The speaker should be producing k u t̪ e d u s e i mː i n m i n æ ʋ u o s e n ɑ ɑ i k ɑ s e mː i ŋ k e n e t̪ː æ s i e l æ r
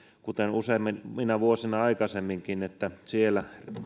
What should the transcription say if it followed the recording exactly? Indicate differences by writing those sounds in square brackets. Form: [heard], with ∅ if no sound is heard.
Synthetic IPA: k u t̪ e [n] u s e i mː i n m i n æ ʋ u o s [i] n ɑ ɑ i k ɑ s e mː i ŋ k [i] n e t̪ː æ s i e l æ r